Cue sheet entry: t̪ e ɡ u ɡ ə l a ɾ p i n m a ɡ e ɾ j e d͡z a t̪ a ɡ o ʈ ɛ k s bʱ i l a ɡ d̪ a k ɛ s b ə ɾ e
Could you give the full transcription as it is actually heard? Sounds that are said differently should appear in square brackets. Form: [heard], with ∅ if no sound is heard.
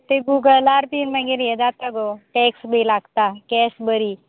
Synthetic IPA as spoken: t̪ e ɡ u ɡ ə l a ɾ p i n m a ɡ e ɾ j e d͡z a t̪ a ɡ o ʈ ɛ k s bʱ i l a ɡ [t̪] a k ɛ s b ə ɾ [i]